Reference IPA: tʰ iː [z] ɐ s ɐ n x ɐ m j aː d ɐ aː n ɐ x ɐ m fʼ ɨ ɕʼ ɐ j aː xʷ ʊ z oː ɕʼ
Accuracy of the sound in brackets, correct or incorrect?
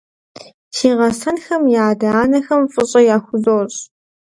incorrect